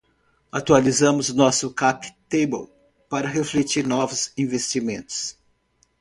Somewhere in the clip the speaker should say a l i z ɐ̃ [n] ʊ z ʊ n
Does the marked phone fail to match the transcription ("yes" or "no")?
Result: yes